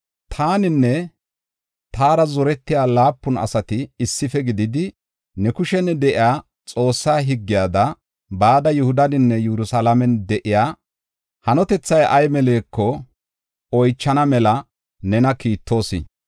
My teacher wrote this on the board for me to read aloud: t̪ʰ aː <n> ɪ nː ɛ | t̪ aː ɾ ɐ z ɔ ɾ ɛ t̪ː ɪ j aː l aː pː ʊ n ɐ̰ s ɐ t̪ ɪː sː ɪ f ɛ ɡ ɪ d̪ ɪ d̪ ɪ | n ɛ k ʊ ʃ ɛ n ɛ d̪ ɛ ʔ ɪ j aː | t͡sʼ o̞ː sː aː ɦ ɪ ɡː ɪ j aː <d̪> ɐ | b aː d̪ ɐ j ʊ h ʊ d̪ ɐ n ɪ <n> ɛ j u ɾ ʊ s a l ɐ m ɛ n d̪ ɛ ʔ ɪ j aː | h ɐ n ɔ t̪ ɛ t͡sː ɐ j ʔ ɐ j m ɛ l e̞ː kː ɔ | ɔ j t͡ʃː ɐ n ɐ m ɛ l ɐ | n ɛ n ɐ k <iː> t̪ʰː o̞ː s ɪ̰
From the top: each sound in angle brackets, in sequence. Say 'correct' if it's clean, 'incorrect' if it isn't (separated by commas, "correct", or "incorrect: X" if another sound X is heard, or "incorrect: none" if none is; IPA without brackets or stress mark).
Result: correct, correct, incorrect: nː, correct